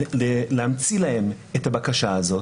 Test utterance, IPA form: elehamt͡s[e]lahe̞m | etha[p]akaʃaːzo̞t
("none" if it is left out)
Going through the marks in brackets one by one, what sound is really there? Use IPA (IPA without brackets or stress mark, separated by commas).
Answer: i, b